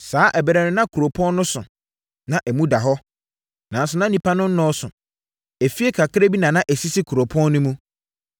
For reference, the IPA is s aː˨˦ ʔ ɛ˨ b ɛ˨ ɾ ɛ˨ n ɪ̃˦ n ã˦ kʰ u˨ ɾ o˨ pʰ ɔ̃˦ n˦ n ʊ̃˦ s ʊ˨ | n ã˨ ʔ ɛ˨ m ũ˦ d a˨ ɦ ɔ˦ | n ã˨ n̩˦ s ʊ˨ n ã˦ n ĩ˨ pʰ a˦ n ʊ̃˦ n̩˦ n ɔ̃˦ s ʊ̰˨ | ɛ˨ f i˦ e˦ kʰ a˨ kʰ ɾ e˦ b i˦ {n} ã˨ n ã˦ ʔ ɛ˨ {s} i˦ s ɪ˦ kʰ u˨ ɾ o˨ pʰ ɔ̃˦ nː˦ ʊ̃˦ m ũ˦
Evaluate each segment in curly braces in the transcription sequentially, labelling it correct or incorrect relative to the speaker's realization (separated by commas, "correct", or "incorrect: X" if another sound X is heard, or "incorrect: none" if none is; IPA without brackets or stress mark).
correct, correct